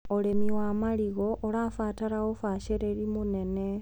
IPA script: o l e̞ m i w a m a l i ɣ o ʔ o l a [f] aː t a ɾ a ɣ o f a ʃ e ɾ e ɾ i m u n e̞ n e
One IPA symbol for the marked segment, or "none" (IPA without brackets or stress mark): f